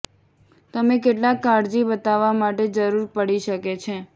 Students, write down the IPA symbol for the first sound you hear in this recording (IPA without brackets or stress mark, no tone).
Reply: t̪